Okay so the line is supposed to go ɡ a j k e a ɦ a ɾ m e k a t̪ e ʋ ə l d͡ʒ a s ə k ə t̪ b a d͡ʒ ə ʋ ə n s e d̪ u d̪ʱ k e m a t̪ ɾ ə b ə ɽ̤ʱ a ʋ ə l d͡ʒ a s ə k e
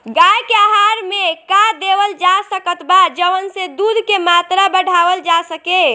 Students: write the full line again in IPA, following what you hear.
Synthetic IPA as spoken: ɡ a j k e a ɦ a ɾ m e k a d̪ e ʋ ə l d͡ʒ a s ə k ə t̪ b a d͡ʒ ə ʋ ə n s e d̪ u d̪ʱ k e m a t̪ ɾ a b ə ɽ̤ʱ a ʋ ə l d͡ʒ a s ə k e